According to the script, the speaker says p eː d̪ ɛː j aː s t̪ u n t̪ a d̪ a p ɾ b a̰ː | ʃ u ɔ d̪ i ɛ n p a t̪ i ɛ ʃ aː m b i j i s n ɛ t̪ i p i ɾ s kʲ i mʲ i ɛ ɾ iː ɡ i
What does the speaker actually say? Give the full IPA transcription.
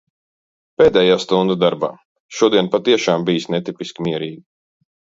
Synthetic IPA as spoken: p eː d̪ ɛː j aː s t̪ u n d̪ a d̪ a ɾ b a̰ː | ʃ u ɔ d̪ i ɛ n p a t̪ i ɛ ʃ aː m b i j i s n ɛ t̪ i p i s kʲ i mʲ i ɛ ɾ iː ɡ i